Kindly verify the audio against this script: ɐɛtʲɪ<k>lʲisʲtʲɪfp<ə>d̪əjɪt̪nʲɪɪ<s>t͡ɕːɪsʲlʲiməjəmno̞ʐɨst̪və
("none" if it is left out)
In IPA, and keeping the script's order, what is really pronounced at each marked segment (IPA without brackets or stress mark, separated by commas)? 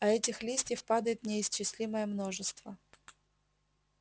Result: x, a, s